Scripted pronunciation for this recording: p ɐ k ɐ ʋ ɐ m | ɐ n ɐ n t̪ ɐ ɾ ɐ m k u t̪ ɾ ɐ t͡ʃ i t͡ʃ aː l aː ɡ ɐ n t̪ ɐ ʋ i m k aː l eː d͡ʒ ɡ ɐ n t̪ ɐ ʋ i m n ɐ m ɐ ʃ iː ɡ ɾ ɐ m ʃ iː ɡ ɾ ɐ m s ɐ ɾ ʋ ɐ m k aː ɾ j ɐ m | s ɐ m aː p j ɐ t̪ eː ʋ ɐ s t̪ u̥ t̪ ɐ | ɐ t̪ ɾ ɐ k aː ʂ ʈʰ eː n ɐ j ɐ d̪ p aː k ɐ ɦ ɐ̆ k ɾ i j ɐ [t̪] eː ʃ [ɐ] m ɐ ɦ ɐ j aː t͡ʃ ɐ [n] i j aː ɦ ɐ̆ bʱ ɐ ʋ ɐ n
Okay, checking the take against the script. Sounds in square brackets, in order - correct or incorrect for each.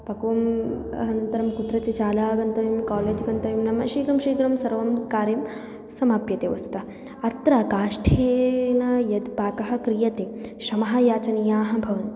correct, correct, correct

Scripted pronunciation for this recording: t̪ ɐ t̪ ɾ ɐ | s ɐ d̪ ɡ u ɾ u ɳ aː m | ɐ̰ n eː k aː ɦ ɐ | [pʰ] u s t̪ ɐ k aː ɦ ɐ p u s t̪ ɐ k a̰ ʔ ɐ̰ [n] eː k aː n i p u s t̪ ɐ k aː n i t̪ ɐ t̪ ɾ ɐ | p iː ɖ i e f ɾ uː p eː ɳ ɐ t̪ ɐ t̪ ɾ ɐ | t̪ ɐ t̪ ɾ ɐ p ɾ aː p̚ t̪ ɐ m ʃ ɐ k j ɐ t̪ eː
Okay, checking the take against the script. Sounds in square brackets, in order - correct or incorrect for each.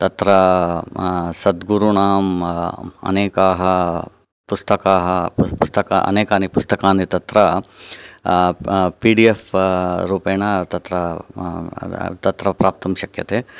incorrect: p, correct

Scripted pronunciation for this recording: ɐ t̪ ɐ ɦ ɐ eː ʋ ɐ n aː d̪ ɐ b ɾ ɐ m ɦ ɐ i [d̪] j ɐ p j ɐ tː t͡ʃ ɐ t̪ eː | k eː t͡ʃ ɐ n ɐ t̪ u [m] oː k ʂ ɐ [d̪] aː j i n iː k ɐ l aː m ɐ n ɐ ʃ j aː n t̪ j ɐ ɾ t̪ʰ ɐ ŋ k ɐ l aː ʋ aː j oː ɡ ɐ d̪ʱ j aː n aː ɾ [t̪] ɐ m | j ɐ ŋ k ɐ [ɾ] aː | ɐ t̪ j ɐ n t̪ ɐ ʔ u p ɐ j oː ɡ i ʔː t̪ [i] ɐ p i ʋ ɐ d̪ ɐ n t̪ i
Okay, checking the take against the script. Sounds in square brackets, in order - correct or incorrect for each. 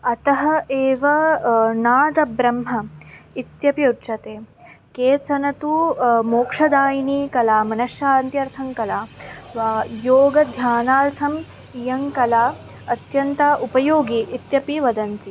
incorrect: t̪, correct, correct, incorrect: t̪ʰ, incorrect: l, incorrect: j

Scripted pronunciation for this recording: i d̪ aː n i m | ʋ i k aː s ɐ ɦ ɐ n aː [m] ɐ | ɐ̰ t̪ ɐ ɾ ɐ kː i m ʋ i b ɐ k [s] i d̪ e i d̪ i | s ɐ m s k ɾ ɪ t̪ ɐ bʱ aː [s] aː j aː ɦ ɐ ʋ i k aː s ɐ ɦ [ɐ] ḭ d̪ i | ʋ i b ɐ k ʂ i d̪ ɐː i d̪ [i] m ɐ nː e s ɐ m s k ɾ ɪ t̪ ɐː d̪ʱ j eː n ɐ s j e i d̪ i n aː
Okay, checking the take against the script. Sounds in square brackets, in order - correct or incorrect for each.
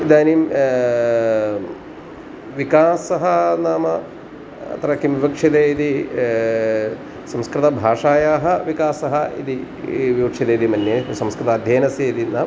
correct, incorrect: ʂ, incorrect: ʂ, correct, correct

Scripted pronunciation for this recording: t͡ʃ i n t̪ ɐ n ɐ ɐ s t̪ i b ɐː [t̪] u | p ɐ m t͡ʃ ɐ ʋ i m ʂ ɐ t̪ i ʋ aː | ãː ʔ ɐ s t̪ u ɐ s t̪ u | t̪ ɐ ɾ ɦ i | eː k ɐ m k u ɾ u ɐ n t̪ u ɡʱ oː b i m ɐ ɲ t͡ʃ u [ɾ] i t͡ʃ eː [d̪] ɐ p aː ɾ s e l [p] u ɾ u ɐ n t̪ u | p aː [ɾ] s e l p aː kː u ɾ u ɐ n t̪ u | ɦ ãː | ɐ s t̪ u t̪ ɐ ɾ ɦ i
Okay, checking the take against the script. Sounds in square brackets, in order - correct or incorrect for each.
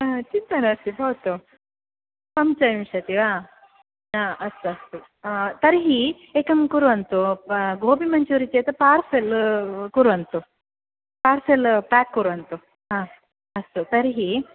correct, correct, incorrect: t̪, incorrect: k, correct

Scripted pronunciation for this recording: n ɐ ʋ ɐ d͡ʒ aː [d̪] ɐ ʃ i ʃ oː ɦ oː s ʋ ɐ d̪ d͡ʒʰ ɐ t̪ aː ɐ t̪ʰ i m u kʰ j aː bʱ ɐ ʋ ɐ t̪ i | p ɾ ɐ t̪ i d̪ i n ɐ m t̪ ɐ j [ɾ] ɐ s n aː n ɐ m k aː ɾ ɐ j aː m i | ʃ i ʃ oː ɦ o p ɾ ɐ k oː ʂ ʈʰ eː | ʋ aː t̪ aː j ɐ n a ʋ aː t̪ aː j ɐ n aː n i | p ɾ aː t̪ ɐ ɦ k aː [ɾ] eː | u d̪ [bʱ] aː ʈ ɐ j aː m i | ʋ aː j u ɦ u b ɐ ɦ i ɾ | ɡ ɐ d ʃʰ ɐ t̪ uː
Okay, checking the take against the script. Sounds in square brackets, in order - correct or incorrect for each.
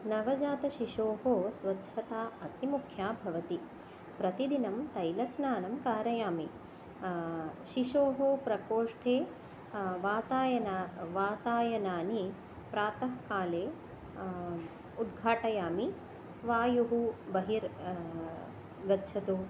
incorrect: t̪, incorrect: l, incorrect: l, incorrect: ɡʱ

